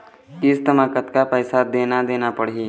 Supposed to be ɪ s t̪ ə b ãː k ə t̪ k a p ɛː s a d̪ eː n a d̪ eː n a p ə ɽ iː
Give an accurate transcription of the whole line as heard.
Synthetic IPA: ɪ s t̪ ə m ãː k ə t̪ k a p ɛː s a d̪ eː n a d̪ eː n a p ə ɽ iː